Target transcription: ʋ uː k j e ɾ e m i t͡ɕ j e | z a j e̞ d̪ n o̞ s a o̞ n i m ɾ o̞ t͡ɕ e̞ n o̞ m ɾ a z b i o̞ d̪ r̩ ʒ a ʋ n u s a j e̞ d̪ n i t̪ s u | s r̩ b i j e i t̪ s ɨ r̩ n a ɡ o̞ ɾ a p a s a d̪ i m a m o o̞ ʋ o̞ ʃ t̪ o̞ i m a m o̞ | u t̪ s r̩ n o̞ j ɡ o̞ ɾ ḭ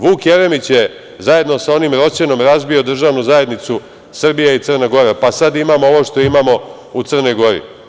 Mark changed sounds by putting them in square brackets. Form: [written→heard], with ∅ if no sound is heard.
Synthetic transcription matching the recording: ʋ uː k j e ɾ e m i t͡ɕ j e | z a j e̞ d̪ n o̞ s a o̞ n i m ɾ o̞ t͡ɕ e̞ n o̞ m ɾ a z b i o̞ d̪ r̩ ʒ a ʋ n u [s→z] a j e̞ d̪ n i t̪ s u | s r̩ b i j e i t̪ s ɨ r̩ n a ɡ o̞ ɾ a p a s a d̪ i m a m o o̞ ʋ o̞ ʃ t̪ o̞ i m a m o̞ | u t̪ s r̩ n o̞ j ɡ o̞ ɾ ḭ